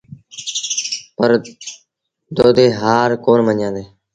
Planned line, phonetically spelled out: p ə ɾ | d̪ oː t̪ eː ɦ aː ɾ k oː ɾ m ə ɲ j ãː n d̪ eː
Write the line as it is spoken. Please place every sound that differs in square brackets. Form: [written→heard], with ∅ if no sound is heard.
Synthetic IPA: p ə ɾ | d̪ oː [t̪→d̪] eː ɦ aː ɾ k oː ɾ m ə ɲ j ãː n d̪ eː